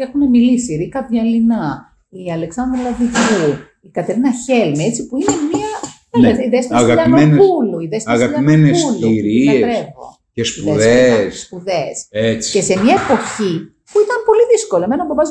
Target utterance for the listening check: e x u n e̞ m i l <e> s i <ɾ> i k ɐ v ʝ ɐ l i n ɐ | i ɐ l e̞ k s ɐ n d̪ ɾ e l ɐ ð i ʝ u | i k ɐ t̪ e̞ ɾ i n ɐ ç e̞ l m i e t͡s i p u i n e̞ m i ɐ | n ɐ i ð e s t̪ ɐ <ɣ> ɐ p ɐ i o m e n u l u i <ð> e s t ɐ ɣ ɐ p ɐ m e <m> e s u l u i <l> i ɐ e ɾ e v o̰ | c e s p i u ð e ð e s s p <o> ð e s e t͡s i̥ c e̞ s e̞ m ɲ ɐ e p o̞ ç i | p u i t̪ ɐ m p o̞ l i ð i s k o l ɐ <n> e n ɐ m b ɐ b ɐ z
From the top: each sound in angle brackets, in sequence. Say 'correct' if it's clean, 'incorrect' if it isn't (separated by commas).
incorrect, correct, correct, correct, incorrect, incorrect, incorrect, incorrect